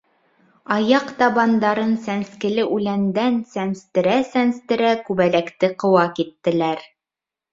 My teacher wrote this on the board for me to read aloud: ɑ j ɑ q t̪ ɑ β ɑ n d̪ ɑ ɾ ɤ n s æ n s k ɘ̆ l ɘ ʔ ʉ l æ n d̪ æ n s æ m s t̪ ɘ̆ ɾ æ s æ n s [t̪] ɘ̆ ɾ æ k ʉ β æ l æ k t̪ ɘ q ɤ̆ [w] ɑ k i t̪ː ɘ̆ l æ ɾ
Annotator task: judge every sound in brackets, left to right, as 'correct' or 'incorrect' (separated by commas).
correct, correct